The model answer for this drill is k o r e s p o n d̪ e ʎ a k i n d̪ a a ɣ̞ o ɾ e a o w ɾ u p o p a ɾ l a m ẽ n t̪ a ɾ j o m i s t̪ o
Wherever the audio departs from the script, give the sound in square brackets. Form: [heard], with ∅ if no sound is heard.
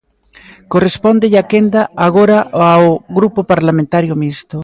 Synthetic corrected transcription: k o r e s p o n d̪ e ʎ a k [e] n d̪ a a ɣ̞ o ɾ [a] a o [ɣ] ɾ u p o p a ɾ l a m ẽ n t̪ a ɾ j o m i s t̪ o